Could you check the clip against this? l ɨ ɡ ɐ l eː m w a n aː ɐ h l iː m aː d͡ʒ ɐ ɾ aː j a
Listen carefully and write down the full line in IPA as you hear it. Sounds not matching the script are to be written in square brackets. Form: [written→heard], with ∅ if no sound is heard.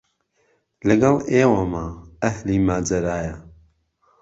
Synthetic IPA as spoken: l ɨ ɡ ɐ l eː [m→∅] w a [n→m] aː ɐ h l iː m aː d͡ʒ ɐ ɾ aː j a